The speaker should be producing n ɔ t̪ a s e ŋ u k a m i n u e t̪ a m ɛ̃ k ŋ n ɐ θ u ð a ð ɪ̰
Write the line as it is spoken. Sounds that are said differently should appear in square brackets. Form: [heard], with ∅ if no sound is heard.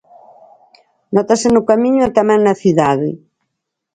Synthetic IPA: n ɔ t̪ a s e [n] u k a m i [ɲ] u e t̪ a m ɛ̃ [∅] ŋ n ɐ θ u ð a ð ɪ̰